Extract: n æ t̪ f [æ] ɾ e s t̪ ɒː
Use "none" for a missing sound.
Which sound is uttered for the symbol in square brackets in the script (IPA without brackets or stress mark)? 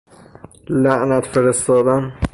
e